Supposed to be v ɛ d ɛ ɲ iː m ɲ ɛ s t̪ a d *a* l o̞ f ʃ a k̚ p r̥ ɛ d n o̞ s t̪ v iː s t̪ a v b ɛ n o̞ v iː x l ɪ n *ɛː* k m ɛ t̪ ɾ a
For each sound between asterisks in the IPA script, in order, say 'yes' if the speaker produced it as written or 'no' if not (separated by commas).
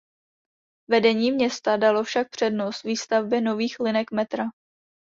yes, no